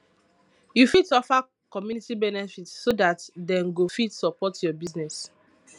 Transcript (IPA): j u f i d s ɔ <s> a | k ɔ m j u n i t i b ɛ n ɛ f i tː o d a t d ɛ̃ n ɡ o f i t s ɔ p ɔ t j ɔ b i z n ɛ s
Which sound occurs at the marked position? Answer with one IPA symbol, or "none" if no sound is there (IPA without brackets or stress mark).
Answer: f